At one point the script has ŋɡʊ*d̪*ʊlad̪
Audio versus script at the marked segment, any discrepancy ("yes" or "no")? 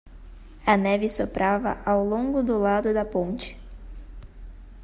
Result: no